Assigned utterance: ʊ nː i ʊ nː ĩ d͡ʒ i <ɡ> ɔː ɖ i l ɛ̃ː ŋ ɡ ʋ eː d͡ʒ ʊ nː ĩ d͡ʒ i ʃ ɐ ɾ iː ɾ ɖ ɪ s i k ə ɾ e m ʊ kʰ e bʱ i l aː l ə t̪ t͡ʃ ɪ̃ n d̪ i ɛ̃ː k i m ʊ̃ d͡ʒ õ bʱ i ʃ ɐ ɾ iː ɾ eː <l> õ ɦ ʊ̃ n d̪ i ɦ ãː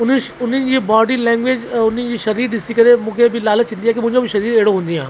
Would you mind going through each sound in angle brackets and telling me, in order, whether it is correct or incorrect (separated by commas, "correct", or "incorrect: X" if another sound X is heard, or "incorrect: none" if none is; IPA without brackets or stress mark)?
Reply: incorrect: b, incorrect: ɽ